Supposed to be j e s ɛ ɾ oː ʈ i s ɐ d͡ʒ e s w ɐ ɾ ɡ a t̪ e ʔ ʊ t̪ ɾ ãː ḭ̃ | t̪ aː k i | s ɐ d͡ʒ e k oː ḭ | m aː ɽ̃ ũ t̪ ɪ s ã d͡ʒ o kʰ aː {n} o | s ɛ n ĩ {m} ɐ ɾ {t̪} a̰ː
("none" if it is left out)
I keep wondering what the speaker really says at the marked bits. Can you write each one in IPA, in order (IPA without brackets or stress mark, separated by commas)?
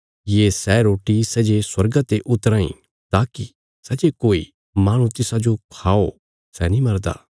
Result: none, m, d̪